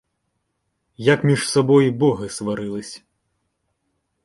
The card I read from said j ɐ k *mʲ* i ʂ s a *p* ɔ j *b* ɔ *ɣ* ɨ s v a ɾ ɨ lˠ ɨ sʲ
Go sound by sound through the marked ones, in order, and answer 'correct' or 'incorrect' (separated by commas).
correct, incorrect, correct, correct